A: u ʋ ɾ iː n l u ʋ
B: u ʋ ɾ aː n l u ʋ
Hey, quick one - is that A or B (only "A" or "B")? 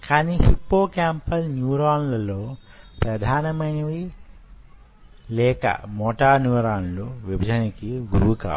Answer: B